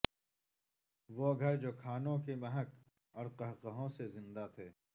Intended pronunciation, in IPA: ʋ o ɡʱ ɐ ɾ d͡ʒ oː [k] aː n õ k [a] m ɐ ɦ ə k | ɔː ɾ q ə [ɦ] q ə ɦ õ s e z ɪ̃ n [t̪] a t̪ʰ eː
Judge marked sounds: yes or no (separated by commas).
no, no, yes, no